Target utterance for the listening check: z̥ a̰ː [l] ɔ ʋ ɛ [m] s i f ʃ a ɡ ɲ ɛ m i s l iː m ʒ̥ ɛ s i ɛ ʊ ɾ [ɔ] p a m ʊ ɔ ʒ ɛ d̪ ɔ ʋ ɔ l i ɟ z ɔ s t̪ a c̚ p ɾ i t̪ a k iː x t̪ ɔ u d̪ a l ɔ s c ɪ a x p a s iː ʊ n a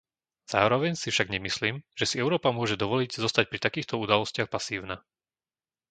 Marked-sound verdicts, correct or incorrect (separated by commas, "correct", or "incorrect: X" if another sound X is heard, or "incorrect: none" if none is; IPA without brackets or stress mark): incorrect: ɾ, incorrect: ɲ, incorrect: ɔː